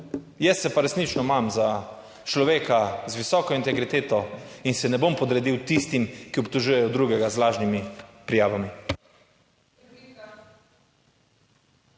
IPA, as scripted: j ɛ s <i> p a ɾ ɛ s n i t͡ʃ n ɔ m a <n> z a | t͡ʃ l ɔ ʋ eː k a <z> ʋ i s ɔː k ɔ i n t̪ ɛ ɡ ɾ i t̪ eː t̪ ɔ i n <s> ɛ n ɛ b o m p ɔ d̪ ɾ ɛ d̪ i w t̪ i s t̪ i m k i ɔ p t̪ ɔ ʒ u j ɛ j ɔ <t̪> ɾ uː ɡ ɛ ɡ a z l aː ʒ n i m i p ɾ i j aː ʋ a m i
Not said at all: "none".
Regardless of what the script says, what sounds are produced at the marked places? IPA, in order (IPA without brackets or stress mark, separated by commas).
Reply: ɛ, m, z, s, d̪